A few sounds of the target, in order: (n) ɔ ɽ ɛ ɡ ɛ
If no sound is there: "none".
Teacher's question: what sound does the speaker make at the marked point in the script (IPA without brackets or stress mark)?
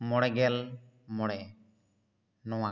m